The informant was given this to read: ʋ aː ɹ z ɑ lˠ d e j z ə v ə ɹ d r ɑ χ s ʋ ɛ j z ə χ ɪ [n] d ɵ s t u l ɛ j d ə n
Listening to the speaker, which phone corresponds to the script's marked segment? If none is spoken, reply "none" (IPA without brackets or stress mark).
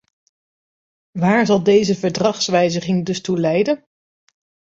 ŋ